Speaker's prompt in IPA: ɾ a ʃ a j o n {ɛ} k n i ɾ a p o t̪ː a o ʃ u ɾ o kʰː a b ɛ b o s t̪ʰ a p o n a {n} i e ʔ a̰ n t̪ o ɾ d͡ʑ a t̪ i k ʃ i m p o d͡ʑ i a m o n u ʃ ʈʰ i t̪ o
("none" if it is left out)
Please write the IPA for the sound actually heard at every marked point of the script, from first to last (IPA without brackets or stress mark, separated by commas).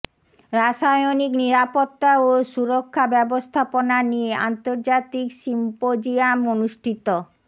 i, n